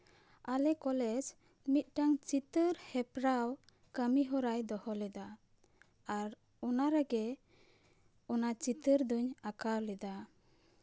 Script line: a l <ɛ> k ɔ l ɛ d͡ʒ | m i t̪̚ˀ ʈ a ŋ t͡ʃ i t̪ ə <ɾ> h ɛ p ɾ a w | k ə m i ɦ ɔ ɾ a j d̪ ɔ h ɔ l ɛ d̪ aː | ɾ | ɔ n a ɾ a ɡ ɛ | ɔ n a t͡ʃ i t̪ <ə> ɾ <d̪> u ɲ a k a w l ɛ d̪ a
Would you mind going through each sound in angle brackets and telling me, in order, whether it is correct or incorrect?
correct, correct, correct, correct

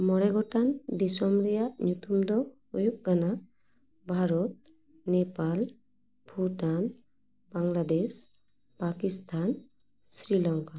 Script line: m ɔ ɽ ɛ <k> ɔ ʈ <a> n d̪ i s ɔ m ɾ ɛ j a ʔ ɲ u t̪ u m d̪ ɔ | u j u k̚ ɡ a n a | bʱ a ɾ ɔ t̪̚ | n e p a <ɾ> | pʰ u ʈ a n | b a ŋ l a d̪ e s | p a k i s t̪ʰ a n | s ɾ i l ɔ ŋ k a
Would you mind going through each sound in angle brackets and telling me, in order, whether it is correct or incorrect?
incorrect: ɡ, correct, incorrect: l

